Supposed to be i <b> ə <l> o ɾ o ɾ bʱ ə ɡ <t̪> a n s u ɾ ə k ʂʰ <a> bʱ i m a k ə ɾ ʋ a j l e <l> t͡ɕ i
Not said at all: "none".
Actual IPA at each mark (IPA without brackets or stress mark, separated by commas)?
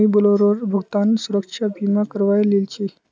b, l, t̪, a, l